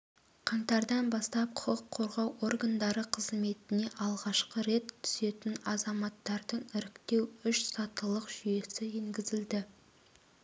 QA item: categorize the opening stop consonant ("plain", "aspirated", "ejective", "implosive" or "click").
aspirated